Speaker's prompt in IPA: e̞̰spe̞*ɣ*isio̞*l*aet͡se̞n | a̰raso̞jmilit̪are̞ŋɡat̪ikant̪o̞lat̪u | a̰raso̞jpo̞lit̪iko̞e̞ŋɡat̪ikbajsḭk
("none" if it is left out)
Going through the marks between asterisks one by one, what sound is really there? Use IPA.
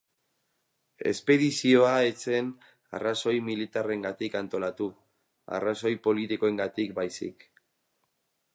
ð, none

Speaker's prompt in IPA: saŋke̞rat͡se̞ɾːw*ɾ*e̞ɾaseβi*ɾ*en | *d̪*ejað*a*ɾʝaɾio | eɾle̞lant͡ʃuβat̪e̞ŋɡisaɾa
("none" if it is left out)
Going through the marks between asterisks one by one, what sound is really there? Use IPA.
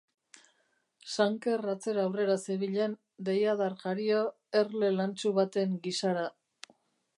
r, ʎ, d̪, a

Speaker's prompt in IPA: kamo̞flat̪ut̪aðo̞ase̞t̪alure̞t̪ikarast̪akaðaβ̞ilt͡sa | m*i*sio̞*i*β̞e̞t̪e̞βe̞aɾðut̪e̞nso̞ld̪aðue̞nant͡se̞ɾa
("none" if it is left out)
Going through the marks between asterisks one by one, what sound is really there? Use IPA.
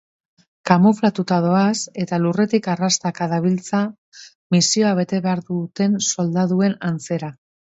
i, a

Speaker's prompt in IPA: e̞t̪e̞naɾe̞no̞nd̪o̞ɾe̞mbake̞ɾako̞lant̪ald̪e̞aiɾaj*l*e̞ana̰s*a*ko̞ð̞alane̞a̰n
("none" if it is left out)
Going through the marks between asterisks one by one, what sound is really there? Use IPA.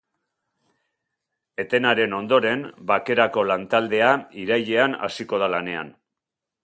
ʎ, i

